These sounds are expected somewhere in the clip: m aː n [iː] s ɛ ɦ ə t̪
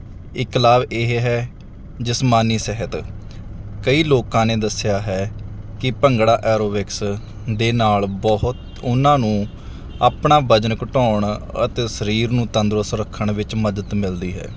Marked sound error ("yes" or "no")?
no